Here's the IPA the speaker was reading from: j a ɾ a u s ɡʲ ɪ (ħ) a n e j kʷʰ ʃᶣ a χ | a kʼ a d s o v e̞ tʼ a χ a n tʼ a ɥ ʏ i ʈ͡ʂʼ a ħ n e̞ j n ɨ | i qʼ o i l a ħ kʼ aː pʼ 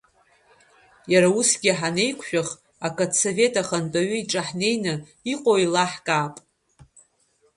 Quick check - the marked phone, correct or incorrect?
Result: correct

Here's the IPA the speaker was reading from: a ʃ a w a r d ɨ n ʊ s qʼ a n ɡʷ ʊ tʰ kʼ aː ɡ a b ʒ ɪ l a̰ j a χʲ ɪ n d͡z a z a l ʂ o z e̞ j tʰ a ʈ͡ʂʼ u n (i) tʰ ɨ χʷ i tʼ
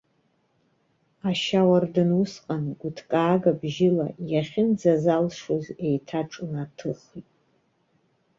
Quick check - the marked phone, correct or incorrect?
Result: incorrect: a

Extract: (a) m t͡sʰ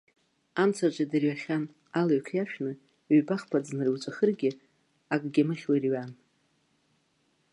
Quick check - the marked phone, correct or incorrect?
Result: correct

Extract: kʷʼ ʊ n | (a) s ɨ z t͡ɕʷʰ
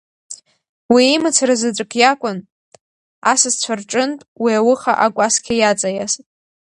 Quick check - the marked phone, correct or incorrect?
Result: correct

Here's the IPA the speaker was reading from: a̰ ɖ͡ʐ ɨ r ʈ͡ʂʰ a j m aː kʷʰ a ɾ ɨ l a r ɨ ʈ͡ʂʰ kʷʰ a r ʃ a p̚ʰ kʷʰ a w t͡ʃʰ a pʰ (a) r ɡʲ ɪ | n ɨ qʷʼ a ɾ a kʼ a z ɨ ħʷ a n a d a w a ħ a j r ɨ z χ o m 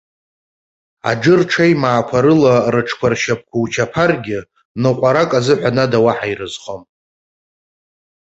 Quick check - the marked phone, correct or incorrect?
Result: correct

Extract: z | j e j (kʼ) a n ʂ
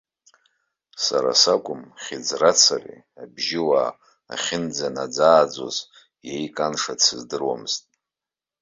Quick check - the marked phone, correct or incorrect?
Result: correct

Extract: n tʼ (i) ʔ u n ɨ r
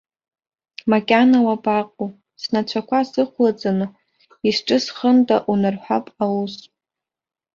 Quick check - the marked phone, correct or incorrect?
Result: incorrect: a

